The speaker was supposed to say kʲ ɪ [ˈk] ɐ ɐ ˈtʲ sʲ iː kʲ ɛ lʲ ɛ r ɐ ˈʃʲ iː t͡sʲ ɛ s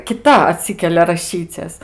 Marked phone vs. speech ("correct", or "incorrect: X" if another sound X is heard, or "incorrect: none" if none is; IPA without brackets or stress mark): incorrect: t